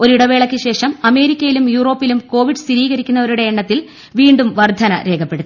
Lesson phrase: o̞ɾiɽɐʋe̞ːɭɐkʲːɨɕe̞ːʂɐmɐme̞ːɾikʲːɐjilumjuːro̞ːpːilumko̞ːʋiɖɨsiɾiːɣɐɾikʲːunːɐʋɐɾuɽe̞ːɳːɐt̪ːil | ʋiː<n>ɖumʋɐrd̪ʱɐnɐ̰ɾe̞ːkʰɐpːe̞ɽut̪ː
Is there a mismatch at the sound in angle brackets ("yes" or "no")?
yes